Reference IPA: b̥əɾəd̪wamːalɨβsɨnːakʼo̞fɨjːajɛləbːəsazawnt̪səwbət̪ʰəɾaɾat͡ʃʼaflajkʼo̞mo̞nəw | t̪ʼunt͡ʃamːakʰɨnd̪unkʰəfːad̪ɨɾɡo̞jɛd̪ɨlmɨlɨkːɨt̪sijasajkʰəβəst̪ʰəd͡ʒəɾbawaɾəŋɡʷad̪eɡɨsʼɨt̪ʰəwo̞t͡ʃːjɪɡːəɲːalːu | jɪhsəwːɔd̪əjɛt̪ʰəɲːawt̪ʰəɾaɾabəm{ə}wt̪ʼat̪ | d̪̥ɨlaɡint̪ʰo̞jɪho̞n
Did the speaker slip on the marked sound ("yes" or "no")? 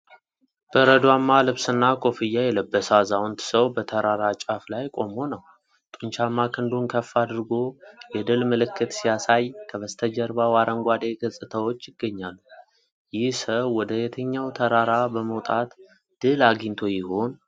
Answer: no